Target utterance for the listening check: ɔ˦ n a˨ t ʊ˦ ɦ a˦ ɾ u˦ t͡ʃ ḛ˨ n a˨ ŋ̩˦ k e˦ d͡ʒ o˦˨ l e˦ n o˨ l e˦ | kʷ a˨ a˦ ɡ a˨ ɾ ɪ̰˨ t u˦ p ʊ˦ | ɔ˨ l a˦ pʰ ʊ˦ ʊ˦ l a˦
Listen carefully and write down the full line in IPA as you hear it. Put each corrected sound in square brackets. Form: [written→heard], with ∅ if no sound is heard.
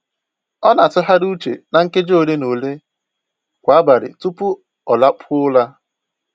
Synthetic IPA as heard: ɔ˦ n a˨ t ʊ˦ ɦ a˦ ɾ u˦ t͡ʃ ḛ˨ n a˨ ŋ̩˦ k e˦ d͡ʒ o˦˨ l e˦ n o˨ l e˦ | kʷ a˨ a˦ [ɡ→b] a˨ ɾ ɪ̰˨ t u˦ p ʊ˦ | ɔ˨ l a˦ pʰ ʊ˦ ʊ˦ l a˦